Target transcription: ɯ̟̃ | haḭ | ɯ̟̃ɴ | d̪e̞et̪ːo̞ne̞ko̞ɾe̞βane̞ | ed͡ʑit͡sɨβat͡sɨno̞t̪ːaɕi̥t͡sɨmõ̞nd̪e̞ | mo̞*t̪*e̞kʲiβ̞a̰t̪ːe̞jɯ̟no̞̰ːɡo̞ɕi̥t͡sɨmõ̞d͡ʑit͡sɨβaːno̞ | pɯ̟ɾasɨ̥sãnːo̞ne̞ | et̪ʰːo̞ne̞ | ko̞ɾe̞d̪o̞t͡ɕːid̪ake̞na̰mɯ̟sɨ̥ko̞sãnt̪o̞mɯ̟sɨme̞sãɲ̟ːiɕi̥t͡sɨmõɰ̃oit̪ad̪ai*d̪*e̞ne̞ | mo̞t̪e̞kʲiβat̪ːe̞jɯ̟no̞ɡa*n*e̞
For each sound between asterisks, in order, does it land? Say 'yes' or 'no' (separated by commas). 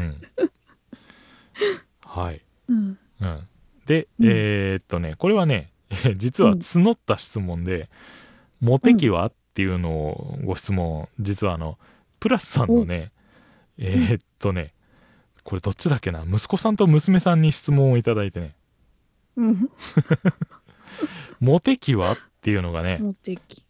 yes, no, yes